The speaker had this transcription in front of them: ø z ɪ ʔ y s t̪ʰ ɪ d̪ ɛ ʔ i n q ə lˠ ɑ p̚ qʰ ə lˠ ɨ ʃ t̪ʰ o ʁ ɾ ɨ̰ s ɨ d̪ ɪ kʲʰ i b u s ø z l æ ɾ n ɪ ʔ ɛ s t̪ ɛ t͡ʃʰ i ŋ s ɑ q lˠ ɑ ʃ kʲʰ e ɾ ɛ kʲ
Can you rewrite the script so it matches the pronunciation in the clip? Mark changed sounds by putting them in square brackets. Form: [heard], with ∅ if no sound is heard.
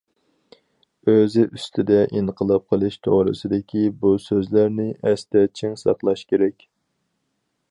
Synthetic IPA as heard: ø z ɪ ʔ y s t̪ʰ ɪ d̪ ɛ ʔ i n q ə lˠ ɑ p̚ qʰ ə lˠ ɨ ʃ t̪ʰ o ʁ ɾ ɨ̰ s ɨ d̪ ɪ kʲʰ i b u s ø z l æ ɾ n ɪ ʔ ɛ s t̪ ɛ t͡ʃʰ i ŋ s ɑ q lˠ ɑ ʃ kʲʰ e ɾ ɛ kʲ